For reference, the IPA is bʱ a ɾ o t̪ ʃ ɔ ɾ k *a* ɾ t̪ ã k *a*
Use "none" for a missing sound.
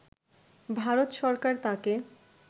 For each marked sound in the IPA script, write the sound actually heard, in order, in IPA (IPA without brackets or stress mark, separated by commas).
a, e